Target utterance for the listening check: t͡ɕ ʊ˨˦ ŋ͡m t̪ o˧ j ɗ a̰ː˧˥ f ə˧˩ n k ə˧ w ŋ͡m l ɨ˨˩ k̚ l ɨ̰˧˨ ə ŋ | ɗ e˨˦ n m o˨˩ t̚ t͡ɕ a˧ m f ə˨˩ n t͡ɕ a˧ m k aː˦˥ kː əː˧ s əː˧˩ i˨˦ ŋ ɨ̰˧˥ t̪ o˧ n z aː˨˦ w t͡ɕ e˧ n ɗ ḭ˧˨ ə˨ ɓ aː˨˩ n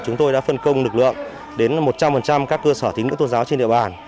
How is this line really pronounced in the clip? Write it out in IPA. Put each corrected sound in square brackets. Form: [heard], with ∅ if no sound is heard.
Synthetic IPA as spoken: t͡ɕ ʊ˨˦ ŋ͡m t̪ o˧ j ɗ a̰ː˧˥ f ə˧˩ n k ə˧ w ŋ͡m l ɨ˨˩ k̚ l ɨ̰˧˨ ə ŋ | ɗ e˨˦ n m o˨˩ t̚ t͡ɕ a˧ m f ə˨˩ n t͡ɕ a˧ m k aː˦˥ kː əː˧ s əː˧˩ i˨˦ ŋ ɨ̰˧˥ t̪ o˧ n z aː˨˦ w t͡ɕ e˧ n ɗ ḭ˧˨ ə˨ ɓ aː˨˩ n